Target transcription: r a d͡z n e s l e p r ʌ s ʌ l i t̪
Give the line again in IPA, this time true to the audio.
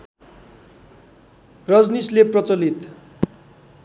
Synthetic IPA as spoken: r ʌ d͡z n i s l e p r ʌ t͡s ʌ l i t̪